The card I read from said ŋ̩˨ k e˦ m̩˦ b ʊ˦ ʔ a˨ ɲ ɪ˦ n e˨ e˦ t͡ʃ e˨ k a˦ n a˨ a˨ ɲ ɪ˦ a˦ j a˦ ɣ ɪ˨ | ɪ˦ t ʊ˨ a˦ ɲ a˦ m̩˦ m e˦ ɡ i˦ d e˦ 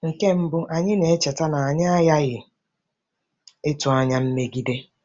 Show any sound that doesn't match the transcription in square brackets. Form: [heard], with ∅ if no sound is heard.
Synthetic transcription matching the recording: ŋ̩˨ k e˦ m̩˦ b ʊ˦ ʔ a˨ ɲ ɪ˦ n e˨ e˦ t͡ʃ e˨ [t] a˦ n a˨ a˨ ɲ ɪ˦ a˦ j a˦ ɣ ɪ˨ | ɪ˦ t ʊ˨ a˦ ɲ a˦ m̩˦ m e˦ ɡ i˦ d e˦